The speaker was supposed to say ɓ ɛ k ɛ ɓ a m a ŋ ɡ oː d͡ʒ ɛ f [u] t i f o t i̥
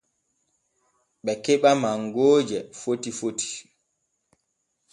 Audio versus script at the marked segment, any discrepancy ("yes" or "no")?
yes